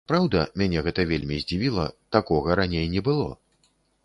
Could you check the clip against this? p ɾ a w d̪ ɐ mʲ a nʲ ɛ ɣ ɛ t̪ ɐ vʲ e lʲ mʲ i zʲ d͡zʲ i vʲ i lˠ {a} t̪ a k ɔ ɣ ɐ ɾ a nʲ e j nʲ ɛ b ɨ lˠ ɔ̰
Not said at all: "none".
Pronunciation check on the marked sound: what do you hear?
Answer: ɐ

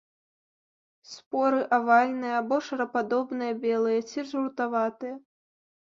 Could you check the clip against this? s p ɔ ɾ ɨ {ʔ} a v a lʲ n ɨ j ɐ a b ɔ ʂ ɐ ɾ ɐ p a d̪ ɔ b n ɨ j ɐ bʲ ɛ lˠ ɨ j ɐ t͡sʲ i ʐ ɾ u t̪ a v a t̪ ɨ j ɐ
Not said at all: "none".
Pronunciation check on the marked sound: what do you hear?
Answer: ʔ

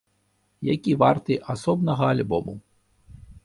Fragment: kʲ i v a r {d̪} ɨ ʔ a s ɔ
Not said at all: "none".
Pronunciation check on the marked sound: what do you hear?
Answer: t̪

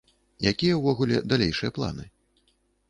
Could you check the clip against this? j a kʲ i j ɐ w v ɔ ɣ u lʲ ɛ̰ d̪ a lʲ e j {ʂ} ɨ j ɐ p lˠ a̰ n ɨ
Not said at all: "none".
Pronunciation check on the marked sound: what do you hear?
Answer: ʂ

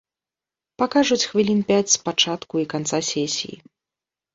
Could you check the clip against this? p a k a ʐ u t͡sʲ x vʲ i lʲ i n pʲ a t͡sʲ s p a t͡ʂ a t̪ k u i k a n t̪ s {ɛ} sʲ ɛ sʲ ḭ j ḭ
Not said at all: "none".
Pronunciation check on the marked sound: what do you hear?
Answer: a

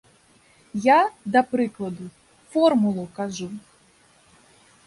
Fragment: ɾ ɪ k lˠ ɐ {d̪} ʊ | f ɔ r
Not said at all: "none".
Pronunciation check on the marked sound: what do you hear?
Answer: d̪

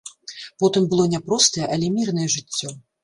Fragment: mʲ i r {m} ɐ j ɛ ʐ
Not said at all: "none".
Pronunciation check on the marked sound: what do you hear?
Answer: n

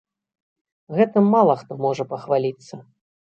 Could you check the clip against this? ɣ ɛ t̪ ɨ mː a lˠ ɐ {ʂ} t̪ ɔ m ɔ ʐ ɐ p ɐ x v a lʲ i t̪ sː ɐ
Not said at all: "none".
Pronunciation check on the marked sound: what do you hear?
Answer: x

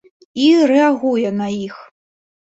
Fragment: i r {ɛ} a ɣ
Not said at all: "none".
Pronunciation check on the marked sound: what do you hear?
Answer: ɛ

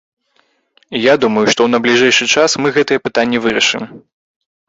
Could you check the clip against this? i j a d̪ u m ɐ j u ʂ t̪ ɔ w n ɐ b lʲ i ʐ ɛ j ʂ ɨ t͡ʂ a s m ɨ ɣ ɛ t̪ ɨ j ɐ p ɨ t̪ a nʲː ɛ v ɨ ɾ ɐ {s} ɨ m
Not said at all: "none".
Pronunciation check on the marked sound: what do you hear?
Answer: ʂ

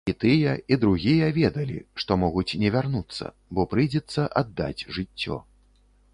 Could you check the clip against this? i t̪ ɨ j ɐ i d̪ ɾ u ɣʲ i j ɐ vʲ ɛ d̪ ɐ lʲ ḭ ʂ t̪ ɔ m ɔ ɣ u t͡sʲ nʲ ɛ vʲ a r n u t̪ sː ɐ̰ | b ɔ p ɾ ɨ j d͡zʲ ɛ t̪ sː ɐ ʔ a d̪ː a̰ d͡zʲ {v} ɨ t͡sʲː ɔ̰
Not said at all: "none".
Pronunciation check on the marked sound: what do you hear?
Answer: ʐ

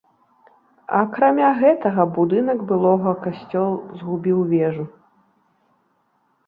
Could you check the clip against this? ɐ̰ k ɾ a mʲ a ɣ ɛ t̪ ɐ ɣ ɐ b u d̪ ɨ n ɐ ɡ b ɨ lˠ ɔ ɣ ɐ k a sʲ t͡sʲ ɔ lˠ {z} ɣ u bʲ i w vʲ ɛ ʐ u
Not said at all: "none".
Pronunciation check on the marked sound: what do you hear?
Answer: z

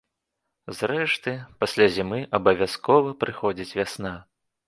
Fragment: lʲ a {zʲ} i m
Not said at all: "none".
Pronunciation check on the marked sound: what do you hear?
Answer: zʲ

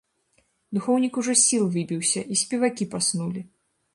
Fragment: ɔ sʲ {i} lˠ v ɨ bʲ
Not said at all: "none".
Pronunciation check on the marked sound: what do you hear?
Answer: i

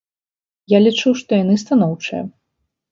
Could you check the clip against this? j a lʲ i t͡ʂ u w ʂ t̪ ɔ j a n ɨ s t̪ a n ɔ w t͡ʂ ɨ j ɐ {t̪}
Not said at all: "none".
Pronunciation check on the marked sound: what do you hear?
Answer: none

